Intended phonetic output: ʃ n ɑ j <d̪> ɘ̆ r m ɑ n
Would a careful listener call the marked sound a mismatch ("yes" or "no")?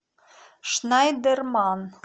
no